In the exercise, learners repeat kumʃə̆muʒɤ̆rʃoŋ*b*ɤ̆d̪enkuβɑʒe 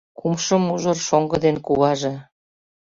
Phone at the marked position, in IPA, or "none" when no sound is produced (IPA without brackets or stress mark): ɡ